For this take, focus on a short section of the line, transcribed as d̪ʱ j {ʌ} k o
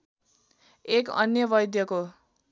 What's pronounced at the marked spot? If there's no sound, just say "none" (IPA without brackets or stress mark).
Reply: ʌ